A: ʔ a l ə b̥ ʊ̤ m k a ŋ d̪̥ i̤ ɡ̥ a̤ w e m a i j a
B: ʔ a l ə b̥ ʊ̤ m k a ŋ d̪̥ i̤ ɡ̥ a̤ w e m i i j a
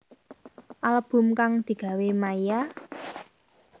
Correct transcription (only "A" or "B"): A